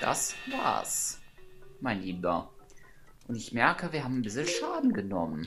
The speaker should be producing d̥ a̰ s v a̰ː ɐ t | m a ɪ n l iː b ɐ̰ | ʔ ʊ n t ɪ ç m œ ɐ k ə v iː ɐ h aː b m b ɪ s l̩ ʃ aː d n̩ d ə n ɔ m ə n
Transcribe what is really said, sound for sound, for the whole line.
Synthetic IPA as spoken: d̥ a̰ s v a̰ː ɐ s | m a ɪ n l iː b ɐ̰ | ʔ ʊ n t ɪ ç m ɛ ɐ k ə v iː ɐ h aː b m b ɪ s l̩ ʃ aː d n̩ ɡ ə n ɔ m ə n